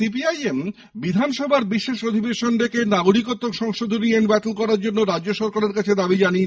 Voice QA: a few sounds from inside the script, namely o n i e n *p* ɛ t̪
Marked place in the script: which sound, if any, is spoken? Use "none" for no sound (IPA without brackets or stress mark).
b